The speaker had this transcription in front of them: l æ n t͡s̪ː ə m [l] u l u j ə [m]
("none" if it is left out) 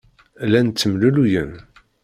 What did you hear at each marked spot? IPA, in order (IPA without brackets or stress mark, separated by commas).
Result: l, n